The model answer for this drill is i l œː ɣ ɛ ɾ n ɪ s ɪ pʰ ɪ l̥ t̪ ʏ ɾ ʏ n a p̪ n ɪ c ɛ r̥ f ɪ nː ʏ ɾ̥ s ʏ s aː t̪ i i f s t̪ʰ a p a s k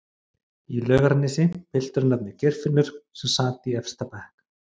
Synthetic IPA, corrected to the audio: i l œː ɣ a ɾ n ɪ s ɪ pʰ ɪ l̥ t̪ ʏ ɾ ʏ n a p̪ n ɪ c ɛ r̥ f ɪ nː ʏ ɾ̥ s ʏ s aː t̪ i ɛ f s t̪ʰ a p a h k